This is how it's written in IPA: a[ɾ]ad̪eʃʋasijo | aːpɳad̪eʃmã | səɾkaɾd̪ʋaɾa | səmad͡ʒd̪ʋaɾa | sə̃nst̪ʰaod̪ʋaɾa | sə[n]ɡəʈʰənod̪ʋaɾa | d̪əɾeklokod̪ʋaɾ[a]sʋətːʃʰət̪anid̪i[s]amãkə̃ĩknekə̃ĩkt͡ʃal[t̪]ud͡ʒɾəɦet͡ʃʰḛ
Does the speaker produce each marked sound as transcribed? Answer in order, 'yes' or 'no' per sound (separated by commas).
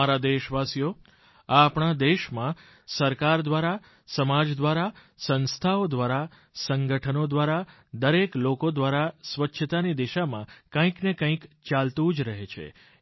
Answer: yes, no, yes, no, yes